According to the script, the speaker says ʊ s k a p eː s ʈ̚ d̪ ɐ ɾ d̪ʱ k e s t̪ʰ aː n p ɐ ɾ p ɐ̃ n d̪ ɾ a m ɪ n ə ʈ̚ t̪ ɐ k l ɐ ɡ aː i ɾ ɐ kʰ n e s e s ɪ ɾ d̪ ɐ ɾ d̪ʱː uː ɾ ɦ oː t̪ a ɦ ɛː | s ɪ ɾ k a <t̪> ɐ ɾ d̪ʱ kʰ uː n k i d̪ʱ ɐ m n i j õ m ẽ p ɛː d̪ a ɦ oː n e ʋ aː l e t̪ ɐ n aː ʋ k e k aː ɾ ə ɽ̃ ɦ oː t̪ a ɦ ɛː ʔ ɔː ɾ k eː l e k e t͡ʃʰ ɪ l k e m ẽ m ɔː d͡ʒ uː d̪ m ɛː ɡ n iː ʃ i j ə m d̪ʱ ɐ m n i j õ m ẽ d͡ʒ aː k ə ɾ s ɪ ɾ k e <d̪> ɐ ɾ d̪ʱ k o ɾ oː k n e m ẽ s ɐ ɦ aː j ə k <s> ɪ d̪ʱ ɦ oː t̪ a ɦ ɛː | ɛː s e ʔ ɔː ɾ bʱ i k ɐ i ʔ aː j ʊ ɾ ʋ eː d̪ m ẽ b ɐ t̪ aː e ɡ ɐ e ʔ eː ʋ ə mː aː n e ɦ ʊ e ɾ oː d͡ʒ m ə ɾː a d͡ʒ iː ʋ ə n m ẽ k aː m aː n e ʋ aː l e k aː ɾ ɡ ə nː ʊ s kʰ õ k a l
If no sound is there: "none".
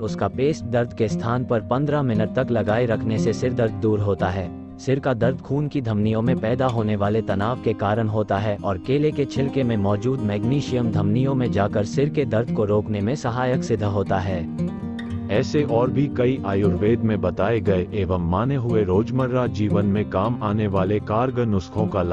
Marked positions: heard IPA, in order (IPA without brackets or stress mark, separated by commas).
d̪, d̪, s